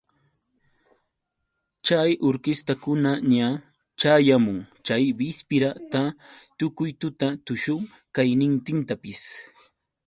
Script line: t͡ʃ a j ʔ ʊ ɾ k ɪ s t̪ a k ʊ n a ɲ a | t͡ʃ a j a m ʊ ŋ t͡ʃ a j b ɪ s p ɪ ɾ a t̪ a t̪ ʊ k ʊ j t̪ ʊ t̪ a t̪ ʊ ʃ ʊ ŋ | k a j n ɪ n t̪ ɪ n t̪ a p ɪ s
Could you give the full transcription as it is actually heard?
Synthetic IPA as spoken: t͡ʃ a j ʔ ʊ ɾ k ɪ s t̪ a k ʊ n a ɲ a | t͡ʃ a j a m ʊ ŋ t͡ʃ a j b ɪ s p ɪ ɾ a t̪ a t̪ ʊ k ʊ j t̪ ʊ t̪ a t̪ ʊ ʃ ʊ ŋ | k a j n ɪ n t̪ ɪ n t̪ a p ɪ s